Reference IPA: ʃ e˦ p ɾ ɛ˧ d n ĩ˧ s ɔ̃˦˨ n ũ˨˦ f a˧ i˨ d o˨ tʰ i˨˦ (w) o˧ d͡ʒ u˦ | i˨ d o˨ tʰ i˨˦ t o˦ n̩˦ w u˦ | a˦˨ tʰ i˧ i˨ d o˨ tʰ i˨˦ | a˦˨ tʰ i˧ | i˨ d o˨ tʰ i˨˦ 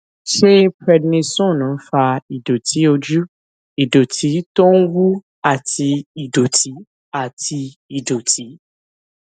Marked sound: incorrect: none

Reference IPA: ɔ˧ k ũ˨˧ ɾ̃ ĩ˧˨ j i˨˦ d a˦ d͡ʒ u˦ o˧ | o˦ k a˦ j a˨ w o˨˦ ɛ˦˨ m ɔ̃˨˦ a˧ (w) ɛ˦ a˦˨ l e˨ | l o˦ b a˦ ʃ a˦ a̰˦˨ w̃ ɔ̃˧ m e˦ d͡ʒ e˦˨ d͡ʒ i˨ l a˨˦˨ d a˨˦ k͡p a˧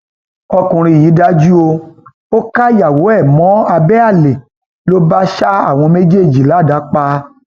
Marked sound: incorrect: b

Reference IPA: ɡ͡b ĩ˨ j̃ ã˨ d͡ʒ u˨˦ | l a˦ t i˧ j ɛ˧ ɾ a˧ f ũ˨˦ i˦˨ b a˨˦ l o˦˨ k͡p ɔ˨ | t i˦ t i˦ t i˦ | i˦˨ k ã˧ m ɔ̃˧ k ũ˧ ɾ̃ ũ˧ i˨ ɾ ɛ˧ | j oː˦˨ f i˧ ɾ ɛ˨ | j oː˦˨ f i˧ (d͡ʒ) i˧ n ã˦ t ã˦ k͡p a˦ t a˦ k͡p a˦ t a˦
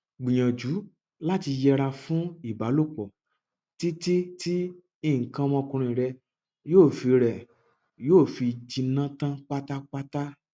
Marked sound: correct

